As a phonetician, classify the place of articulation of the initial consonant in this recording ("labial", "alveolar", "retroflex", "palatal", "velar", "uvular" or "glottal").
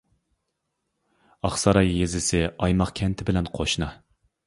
uvular